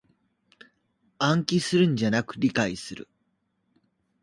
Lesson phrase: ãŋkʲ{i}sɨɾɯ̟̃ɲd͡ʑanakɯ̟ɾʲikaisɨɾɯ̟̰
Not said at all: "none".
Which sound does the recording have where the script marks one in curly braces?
i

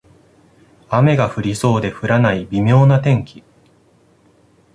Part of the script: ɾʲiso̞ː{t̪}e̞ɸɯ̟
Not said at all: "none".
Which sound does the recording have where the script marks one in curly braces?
d̪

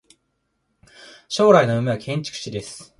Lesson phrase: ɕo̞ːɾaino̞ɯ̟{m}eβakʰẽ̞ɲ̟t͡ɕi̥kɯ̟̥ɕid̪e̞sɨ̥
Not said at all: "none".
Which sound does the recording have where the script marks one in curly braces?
m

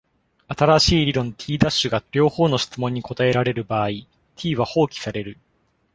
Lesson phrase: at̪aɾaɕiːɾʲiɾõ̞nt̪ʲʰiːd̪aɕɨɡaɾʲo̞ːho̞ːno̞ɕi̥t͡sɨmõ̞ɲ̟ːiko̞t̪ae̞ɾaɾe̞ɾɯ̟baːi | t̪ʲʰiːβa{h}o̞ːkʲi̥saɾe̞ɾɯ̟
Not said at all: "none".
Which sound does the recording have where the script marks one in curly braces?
h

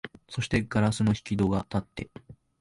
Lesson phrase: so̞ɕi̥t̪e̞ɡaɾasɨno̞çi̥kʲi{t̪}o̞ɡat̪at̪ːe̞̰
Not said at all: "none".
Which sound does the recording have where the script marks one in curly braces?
d̪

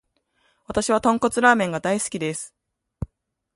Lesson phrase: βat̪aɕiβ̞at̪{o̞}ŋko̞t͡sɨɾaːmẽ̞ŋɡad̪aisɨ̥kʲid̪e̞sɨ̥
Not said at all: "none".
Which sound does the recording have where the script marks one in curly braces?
õ̞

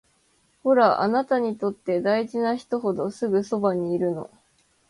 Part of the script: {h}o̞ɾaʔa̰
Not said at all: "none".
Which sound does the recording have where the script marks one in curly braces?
h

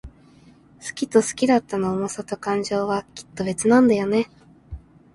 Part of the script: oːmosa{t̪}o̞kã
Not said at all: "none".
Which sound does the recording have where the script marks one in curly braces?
t̪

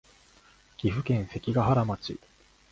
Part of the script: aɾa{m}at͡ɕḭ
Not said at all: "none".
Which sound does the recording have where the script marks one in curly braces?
m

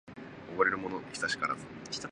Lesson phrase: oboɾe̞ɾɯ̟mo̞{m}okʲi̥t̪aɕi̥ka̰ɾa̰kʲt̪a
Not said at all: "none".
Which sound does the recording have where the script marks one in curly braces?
n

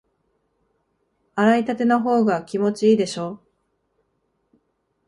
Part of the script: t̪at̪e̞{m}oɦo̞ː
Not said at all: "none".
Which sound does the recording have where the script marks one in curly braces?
n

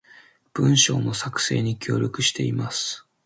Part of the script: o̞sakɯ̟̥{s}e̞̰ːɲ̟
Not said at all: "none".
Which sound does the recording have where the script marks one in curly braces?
s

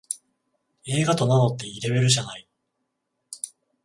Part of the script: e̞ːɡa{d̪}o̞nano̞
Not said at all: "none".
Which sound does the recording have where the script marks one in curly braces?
t̪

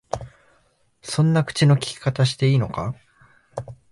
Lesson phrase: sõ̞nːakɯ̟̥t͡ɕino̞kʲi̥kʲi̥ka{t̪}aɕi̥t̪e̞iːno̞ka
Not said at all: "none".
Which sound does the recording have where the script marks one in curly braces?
t̪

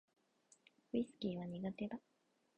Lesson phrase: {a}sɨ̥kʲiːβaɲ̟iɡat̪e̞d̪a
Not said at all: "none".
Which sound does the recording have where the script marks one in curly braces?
i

